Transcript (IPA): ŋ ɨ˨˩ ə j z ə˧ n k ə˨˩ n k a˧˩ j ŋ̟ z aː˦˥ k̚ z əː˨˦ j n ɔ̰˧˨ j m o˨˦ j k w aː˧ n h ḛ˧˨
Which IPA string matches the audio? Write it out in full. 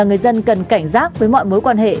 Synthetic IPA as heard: ŋ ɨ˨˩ ə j z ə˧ n k ə˨˩ n k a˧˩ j ŋ̟ z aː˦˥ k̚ v əː˨˦ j m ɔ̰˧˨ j m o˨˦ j k w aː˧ n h ḛ˧˨